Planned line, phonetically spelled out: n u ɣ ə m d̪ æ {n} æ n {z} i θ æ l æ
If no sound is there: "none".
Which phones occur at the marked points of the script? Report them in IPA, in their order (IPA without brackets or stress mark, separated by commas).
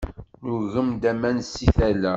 m, s